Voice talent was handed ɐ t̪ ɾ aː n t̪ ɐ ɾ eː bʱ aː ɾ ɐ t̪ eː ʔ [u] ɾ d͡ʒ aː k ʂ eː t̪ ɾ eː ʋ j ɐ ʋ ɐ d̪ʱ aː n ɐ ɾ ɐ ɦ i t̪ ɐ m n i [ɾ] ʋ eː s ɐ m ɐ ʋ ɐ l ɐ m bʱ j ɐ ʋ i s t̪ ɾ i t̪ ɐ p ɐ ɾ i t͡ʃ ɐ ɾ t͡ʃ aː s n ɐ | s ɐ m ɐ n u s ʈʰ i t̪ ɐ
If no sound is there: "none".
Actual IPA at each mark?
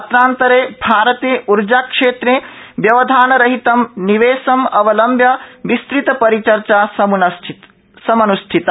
u, none

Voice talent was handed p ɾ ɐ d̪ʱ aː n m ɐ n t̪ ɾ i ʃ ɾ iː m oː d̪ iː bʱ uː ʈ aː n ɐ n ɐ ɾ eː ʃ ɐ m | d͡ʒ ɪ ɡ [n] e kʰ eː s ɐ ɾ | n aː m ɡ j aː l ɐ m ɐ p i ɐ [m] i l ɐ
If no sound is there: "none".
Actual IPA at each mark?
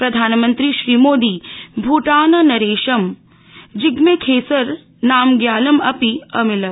m, m

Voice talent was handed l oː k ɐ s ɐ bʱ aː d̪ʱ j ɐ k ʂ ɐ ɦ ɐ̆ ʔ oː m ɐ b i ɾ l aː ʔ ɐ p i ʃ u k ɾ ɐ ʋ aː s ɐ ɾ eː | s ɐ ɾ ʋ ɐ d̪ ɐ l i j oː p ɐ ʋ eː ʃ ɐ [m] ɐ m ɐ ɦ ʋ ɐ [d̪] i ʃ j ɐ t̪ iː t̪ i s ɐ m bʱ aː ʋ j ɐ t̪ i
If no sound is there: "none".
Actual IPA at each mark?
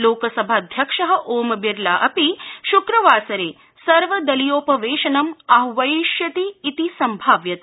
n, none

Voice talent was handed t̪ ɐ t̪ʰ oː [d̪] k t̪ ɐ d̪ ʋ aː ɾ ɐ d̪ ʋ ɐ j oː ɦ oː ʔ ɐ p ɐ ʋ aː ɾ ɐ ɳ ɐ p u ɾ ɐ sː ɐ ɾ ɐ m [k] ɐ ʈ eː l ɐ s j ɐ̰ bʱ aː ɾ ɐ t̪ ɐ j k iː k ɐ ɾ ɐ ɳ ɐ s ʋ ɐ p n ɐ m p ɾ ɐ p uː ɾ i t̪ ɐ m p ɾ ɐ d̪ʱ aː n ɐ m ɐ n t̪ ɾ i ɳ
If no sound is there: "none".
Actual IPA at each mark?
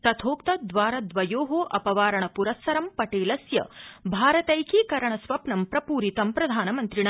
none, p

